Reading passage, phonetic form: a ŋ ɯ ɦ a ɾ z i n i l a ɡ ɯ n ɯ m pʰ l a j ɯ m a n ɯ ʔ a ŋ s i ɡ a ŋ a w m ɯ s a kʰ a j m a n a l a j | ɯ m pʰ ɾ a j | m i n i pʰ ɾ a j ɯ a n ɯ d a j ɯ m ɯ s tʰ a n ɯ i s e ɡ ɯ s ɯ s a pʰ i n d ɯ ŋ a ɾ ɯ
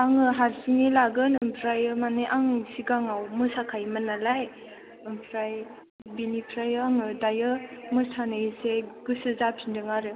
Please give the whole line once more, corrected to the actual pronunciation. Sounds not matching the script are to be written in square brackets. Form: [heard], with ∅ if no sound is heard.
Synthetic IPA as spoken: a ŋ ɯ ɦ a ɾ [s] i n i l a ɡ ɯ n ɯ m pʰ [ɾ] a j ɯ m a n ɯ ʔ a ŋ s i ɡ a ŋ a w m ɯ s a kʰ a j m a n a l a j | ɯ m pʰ ɾ a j | [b] i n i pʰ ɾ a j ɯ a [ŋ] ɯ d a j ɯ m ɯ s tʰ a n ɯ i s e ɡ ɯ s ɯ [z] a pʰ i n d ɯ ŋ a ɾ ɯ